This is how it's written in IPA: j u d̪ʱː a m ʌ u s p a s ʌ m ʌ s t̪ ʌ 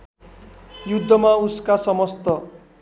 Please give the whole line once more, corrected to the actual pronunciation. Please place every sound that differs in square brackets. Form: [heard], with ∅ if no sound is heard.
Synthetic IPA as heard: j u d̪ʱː [ʌ] m [a] u s [k] a s ʌ m ʌ s t̪ ʌ